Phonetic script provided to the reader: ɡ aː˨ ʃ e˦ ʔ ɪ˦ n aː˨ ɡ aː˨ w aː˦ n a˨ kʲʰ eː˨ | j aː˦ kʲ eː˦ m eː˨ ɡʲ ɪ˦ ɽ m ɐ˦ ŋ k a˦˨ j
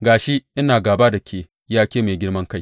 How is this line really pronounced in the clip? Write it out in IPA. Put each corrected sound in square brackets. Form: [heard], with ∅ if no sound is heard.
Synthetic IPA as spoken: ɡ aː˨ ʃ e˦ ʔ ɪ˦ n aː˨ ɡ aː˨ [b] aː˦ [d] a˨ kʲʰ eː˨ | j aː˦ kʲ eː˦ m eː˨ ɡʲ ɪ˦ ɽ m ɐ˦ ŋ k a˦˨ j